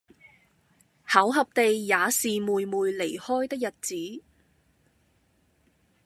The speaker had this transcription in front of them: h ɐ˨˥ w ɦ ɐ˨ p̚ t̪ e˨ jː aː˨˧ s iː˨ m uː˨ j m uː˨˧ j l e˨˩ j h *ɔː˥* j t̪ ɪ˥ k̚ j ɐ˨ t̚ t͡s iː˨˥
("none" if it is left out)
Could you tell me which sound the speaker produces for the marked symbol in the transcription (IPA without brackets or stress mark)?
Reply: ɔː˥